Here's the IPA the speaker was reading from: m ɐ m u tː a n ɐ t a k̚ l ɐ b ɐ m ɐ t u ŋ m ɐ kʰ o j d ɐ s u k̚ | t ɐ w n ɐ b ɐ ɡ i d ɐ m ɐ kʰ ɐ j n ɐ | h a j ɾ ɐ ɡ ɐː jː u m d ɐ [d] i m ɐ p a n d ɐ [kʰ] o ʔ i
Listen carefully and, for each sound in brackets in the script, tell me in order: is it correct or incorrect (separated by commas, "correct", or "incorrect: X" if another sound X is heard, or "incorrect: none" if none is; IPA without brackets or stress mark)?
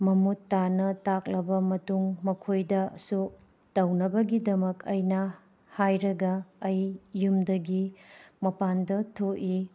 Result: incorrect: ɡ, incorrect: tʰ